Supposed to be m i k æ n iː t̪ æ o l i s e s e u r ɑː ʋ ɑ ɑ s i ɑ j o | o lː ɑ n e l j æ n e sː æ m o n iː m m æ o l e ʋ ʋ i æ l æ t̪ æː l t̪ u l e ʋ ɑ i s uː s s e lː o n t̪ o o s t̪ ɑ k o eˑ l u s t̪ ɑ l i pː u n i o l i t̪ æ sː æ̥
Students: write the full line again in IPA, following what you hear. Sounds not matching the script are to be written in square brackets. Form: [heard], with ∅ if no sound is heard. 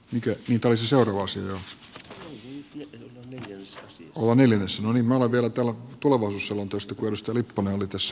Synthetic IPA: m i k æ n iː t̪ æ o l i s e s e u r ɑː ʋ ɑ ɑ s i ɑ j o | o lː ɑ n e l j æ n e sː æ [n] o n iː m m æ o l e ʋ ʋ i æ l æ t̪ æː l t̪ u l e ʋ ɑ i s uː s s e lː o n t̪ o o s t̪ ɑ k [u] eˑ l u s t̪ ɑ l i pː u n [e] o l i t̪ æ sː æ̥